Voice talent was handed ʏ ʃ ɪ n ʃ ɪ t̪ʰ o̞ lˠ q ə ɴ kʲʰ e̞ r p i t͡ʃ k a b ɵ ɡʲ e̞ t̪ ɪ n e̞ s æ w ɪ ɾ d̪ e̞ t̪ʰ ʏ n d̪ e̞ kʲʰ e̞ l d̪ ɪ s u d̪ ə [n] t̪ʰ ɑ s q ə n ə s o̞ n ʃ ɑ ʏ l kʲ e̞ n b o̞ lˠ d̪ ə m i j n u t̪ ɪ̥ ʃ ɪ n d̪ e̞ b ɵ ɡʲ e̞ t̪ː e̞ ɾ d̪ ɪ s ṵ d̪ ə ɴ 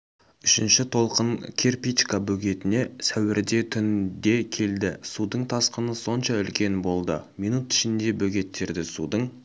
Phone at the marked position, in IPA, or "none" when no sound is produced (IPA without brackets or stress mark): ɴ